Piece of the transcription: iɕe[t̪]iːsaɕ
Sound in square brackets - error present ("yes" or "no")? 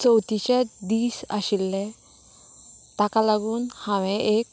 yes